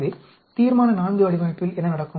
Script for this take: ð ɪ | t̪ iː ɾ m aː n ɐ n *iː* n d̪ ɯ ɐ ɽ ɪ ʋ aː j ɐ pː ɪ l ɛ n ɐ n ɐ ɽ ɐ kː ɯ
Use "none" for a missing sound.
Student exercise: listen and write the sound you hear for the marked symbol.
aː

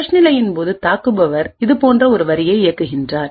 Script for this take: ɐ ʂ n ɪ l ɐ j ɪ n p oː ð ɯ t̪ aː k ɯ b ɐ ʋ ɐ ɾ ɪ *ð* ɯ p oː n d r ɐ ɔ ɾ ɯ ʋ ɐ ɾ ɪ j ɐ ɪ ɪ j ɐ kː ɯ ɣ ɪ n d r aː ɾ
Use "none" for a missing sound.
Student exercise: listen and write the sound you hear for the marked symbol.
ð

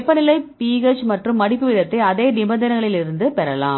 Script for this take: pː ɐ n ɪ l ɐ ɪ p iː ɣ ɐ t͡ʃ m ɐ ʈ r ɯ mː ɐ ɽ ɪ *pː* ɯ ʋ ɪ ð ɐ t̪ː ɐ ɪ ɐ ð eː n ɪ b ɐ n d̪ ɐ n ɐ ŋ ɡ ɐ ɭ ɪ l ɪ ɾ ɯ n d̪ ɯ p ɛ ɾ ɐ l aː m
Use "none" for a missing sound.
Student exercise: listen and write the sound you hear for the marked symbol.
pː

